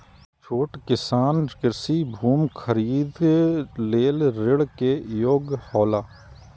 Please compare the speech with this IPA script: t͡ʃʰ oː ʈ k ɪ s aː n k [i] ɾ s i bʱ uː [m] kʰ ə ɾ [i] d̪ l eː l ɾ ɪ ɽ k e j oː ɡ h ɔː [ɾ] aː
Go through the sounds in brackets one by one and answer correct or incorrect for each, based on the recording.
incorrect: ɪ, correct, incorrect: iː, incorrect: l

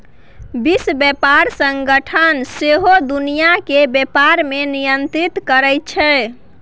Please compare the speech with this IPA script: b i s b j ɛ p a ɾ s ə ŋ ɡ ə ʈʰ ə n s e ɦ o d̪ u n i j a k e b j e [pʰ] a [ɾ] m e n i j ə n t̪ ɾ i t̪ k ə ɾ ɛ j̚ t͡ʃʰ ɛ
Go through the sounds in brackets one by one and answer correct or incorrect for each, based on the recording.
incorrect: p, correct

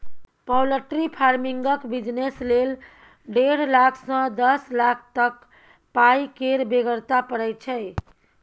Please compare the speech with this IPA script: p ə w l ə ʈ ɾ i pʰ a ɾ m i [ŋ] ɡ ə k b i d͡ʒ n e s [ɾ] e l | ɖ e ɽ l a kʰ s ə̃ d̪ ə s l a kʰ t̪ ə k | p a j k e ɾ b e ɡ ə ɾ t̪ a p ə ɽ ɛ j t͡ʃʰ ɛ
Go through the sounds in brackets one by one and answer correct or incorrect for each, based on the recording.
correct, incorrect: l

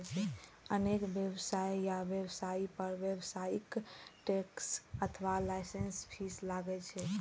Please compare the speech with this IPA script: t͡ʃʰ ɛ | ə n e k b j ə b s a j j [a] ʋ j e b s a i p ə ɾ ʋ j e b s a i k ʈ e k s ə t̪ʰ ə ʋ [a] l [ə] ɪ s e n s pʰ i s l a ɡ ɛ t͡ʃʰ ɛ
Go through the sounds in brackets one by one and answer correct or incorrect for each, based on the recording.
correct, correct, incorrect: a

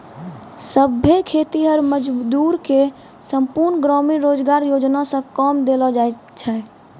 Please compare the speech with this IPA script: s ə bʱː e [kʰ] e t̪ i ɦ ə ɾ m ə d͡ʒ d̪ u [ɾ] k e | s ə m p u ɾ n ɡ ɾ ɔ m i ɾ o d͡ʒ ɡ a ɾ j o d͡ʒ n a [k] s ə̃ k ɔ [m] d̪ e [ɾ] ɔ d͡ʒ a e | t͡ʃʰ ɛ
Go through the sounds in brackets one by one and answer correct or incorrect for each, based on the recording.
correct, correct, incorrect: none, correct, incorrect: l

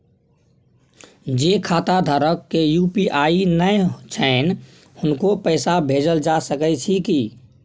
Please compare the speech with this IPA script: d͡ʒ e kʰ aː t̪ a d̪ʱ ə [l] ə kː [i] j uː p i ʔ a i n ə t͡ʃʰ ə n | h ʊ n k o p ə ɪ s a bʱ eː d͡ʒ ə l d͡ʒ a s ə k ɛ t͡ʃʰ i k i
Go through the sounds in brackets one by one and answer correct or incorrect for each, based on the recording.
incorrect: ɾ, incorrect: e

